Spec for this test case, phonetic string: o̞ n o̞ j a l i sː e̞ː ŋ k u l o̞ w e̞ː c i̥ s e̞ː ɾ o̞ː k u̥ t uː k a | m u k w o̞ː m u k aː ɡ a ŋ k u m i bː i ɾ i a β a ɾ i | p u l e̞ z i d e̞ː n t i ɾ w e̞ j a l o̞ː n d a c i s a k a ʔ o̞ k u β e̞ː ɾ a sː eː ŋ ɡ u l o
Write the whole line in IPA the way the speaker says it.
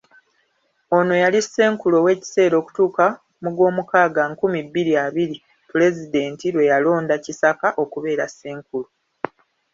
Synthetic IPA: o̞ n o̞ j a l i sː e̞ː ŋ k u l o̞ w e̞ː c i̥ s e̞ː ɾ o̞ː k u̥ t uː k a | m u ɡ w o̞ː m u k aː ɡ a ŋ k u m i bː i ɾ i a β i ɾ i | p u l e̞ z i d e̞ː n t i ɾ w e̞ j a l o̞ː n d a c i s a k a ʔ o̞ k u β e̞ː ɾ a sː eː ŋ k u l o